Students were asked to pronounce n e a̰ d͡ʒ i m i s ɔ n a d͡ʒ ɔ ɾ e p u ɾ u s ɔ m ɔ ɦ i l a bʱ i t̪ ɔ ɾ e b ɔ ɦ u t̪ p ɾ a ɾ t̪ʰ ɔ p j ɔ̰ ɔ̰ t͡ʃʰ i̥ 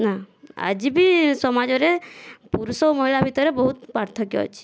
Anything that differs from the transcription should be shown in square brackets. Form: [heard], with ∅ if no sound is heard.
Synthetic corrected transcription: n [a] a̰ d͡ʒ i [b] i s ɔ [m] a d͡ʒ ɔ ɾ e p u ɾ u s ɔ m ɔ ɦ i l a bʱ i t̪ ɔ ɾ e b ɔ ɦ u t̪ p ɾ a ɾ t̪ʰ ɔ [k] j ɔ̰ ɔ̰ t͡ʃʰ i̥